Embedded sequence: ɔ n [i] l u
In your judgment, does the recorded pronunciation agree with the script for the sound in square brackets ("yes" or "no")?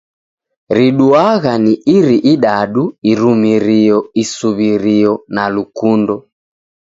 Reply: no